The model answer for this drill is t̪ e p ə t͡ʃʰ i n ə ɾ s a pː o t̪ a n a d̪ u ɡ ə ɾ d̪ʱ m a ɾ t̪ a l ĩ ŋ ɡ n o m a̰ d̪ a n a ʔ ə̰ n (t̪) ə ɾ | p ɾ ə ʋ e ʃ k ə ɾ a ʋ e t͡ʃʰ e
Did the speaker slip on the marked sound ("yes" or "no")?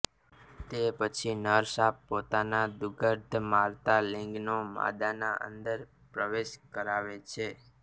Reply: yes